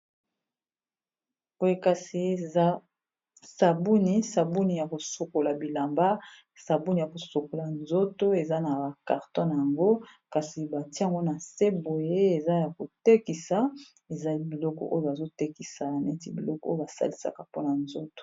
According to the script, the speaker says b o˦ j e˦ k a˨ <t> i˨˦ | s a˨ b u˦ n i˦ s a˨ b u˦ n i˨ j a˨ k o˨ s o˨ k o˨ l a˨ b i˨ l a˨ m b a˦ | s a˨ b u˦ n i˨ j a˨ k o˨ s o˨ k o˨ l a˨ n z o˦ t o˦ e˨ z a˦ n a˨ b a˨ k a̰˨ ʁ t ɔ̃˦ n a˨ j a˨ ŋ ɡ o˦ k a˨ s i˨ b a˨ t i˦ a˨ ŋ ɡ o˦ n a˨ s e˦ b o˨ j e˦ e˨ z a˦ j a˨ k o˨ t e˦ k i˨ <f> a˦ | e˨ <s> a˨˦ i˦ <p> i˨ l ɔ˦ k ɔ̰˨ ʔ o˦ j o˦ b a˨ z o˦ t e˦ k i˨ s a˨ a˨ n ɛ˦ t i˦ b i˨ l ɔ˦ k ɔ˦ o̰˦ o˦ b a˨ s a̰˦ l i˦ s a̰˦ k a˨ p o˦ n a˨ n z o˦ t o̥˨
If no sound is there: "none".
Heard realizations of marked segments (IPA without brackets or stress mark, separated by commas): s, s, z, b